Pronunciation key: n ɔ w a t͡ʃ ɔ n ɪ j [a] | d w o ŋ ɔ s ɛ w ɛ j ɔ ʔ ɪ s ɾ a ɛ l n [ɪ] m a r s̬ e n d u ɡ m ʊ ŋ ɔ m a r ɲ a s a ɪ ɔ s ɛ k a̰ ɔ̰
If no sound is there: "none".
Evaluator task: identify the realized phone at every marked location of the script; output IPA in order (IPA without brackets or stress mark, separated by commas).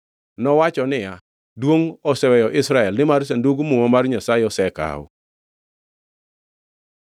a, ɪ